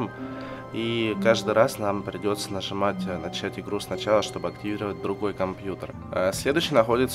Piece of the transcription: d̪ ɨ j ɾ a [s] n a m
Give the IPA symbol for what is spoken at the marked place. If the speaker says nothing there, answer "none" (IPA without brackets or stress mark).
s